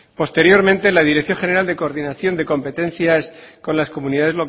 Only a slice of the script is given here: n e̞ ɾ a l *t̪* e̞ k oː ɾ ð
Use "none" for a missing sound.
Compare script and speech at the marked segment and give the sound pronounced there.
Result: d̪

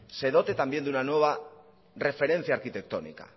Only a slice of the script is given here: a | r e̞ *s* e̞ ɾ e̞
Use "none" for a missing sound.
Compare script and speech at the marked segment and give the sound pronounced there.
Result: f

